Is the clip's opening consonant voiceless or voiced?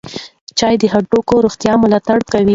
voiceless